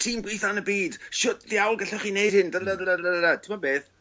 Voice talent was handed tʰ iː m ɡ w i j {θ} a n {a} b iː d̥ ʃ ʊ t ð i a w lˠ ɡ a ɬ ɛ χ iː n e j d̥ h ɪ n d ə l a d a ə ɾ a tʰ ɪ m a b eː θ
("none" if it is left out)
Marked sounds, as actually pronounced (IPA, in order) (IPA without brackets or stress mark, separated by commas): θ, ə